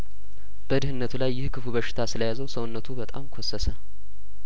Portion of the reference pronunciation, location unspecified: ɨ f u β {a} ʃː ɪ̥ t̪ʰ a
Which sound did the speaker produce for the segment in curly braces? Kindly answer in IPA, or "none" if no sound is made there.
ə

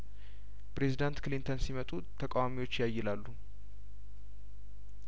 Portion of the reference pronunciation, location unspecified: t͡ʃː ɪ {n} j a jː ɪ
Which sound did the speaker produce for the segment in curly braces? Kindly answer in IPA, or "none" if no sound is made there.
none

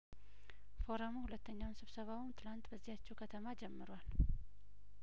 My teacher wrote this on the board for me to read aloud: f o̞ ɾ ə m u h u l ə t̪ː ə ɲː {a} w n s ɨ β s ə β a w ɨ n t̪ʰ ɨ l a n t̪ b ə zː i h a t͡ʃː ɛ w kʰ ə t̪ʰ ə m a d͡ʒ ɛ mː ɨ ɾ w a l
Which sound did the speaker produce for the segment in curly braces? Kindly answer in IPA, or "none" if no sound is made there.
a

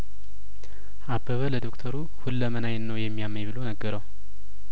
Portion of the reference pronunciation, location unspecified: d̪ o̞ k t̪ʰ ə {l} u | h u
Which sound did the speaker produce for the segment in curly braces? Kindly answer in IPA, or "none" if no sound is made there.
ɾ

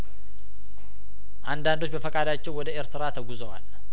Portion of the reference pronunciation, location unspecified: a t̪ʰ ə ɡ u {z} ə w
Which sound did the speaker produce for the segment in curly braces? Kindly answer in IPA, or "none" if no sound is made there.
z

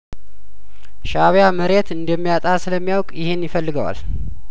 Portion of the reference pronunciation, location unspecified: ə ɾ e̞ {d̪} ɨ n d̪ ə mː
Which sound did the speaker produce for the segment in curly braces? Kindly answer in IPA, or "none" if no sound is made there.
t̪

